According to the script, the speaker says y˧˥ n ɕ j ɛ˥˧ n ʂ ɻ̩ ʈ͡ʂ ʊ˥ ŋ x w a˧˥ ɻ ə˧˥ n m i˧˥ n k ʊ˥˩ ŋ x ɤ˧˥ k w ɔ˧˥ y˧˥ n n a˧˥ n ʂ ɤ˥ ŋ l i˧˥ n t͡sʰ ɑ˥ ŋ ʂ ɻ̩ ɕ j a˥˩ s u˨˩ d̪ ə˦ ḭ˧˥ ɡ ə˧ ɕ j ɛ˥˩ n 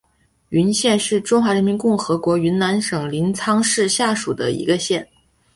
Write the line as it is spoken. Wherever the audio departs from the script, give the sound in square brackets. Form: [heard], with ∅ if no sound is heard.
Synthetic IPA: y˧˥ n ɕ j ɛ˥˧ n ʂ ɻ̩ ʈ͡ʂ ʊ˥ ŋ x w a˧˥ ɻ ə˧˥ n m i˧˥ n k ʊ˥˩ ŋ x ɤ˧˥ k w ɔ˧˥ y˧˥ n n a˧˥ n ʂ [ɤ˨˩] ŋ l i˧˥ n t͡sʰ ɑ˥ ŋ ʂ ɻ̩ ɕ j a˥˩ [ʂ] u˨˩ d̪ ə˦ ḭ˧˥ ɡ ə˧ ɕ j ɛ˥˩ n